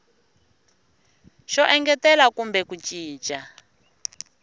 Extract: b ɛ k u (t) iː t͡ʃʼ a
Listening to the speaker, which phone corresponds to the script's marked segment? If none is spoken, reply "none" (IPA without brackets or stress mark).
t͡ʃ